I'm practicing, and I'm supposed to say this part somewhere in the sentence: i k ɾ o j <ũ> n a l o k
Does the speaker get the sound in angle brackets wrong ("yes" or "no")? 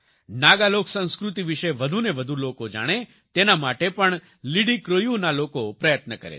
yes